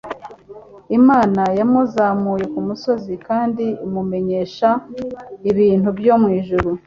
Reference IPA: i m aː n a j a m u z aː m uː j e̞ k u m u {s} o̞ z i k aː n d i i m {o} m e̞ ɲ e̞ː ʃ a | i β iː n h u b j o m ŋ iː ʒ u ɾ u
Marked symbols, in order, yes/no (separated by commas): yes, no